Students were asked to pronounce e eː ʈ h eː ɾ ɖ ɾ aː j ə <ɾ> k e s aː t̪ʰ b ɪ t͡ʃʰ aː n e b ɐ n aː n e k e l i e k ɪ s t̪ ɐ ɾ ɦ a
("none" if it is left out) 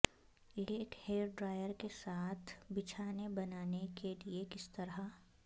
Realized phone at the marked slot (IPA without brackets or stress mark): ɾ